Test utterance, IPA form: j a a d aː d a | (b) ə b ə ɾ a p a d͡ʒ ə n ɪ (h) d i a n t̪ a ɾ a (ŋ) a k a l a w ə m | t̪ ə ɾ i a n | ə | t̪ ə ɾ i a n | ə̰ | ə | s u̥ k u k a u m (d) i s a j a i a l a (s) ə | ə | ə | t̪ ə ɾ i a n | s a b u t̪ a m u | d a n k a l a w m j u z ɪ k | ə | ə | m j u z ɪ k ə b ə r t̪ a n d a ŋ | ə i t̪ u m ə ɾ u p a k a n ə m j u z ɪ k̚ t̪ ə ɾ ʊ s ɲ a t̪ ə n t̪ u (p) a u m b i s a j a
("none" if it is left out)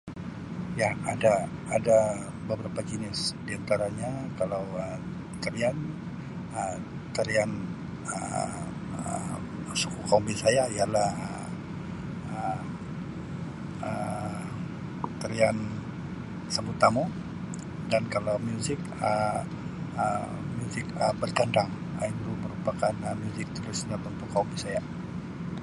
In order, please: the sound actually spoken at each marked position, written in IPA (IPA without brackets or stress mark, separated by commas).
b, s, ɲ, b, h, k